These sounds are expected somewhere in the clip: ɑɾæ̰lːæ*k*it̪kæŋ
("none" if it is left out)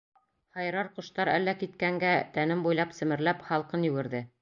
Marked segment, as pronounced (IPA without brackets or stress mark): k